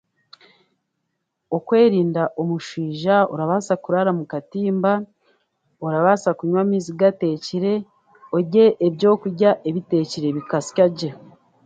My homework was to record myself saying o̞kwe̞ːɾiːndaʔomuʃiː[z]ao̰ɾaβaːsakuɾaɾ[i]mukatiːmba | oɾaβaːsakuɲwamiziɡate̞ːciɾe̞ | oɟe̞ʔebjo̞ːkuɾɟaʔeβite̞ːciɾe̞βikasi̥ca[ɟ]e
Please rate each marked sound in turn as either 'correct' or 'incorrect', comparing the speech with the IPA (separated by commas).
incorrect, incorrect, correct